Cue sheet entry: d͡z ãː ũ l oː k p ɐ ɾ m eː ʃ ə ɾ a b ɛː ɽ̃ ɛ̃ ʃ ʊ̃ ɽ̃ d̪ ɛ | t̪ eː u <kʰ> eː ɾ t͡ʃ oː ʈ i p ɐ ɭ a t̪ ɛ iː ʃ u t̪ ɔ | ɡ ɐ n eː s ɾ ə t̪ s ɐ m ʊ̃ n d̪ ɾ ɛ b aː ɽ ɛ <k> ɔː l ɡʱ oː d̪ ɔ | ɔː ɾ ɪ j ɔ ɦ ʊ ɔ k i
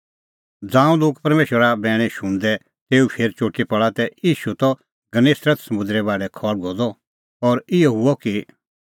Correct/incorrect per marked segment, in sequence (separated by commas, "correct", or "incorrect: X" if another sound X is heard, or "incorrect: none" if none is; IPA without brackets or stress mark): incorrect: pʰ, incorrect: kʰ